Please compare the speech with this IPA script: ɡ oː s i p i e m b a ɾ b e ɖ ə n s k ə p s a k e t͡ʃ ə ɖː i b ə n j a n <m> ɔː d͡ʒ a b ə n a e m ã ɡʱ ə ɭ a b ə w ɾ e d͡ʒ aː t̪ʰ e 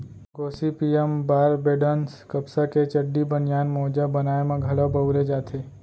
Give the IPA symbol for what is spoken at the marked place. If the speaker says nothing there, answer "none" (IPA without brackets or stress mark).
m